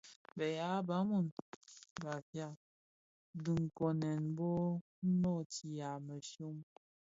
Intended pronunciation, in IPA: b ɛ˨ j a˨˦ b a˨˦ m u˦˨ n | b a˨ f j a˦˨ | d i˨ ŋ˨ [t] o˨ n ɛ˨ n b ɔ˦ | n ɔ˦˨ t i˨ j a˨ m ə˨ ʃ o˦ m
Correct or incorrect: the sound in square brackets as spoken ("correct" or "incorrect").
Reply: incorrect